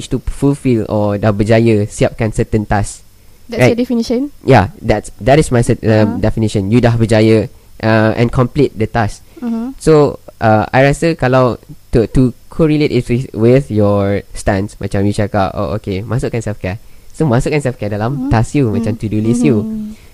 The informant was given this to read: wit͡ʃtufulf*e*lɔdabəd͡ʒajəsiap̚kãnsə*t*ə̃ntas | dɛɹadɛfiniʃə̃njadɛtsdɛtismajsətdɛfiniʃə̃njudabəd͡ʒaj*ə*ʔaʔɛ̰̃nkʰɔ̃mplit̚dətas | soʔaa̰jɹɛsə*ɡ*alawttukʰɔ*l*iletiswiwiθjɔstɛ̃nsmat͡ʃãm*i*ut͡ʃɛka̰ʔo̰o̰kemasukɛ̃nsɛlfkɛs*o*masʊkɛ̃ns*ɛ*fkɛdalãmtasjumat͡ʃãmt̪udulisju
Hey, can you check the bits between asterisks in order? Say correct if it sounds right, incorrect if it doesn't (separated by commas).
incorrect, correct, correct, incorrect, incorrect, incorrect, correct, correct